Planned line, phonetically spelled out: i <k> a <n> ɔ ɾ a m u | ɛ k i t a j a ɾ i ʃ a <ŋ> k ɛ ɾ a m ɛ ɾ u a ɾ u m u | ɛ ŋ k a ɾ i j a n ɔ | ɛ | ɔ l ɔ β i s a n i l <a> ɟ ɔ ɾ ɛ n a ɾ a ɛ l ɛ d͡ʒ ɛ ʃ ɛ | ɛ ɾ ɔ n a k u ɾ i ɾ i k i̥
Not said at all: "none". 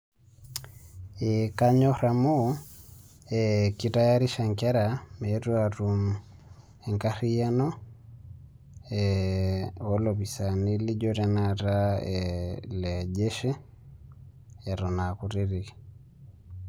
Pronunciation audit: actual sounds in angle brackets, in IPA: k, ɲ, ŋ, i

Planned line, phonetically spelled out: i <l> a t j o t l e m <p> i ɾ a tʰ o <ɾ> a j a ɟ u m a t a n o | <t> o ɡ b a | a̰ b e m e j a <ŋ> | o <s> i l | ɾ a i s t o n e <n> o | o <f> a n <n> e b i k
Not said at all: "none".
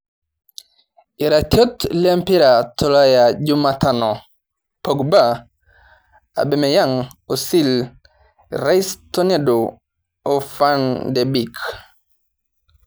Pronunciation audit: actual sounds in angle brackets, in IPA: ɾ, p, l, p, ŋ, s, d, f, d

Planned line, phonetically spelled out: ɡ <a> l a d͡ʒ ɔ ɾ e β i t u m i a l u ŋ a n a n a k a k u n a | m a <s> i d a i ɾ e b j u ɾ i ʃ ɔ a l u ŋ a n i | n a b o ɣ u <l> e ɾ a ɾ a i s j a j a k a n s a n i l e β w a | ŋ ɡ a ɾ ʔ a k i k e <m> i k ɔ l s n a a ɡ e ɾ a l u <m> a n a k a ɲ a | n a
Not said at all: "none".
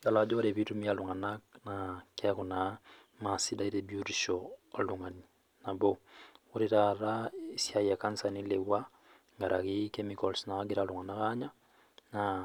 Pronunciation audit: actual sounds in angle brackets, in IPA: a, s, ɾ, m, ŋ

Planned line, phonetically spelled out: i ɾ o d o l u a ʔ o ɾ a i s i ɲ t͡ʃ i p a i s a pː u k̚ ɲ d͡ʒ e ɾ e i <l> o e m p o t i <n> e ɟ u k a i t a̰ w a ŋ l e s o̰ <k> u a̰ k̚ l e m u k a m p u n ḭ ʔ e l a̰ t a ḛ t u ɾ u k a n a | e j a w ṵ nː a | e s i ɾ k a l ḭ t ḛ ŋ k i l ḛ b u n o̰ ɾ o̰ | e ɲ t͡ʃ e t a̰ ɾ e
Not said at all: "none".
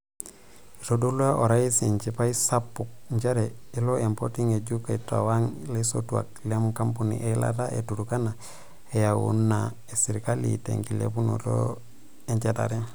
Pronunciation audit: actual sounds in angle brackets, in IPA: l, ŋ, t

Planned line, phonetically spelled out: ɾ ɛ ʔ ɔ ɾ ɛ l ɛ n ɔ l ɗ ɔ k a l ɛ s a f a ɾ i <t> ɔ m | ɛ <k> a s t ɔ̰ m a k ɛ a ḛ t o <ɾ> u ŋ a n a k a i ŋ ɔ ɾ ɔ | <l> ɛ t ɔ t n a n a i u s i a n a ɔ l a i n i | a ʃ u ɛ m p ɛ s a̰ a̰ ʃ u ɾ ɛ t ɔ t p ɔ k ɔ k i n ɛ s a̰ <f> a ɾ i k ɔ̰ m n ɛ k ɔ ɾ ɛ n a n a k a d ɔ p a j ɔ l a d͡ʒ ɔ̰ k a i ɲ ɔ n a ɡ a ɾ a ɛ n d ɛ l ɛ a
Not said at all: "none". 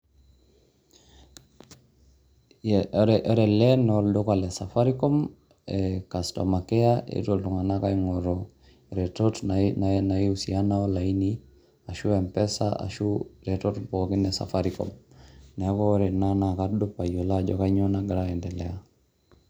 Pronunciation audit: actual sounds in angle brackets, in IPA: k, k, l, ɾ, f

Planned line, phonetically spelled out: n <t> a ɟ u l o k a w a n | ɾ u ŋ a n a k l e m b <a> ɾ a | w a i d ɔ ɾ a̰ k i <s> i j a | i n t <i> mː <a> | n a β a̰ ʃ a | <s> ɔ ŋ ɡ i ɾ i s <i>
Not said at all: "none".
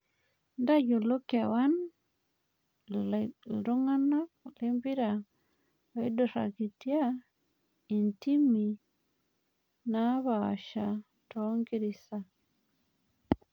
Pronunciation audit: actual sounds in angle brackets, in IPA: d, i, t, i, i, t, a

